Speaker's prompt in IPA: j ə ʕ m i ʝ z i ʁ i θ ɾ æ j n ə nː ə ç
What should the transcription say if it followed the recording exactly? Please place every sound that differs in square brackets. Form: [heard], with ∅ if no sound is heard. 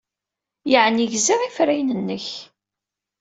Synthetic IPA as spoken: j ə ʕ [n] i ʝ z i ʁ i [f] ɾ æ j n ə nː ə ç